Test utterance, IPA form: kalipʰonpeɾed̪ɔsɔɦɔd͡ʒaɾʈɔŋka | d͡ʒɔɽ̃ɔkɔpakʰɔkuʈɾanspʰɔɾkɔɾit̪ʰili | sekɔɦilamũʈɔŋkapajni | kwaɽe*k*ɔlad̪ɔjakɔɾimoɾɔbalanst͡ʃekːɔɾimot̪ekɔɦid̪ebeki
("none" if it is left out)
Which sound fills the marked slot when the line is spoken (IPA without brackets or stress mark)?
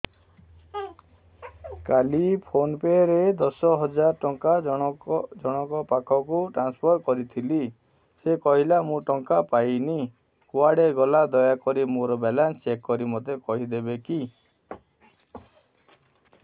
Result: ɡ